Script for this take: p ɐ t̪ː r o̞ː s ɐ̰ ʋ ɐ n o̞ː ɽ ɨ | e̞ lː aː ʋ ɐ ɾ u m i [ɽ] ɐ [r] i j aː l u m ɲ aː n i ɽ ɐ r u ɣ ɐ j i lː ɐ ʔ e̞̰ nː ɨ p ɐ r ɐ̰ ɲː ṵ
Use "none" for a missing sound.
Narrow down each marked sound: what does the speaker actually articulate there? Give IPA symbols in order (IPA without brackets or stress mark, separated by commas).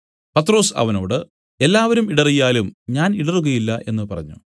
ɽ, r